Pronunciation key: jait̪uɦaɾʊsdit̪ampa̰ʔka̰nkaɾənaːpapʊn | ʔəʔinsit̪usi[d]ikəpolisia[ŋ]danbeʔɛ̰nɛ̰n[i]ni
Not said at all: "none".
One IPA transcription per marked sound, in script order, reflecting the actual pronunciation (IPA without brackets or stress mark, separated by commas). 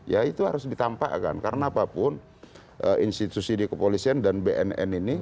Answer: d, n, i